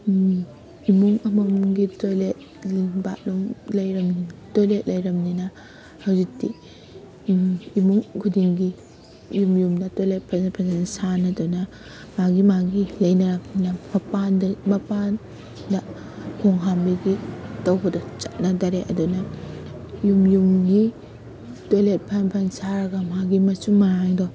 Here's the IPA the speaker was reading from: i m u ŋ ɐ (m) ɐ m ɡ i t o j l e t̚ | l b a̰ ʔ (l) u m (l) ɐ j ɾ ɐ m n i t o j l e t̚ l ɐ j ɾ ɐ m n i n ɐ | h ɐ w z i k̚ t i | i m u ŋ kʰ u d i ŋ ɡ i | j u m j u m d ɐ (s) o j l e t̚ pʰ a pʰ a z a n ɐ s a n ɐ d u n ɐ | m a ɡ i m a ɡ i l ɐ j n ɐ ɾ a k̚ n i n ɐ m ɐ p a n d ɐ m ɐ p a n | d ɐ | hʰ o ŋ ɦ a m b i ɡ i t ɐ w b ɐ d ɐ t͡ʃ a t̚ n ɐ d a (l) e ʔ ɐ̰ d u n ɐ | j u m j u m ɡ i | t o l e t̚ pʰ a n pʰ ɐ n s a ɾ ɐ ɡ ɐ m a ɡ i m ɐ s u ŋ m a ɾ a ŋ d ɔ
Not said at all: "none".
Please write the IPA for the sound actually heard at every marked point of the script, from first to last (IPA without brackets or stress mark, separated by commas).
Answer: m, l, l, t, ɾ